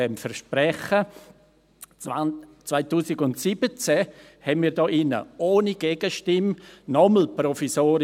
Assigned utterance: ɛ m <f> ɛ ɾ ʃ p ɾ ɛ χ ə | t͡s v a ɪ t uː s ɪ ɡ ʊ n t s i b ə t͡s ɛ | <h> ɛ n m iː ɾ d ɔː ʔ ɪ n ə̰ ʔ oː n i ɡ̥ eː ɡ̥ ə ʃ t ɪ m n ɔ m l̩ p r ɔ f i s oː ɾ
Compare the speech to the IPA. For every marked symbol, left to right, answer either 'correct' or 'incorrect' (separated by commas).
correct, correct